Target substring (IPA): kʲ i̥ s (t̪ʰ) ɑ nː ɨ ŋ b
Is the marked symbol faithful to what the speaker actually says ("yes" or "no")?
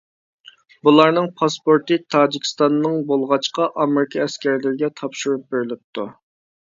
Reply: no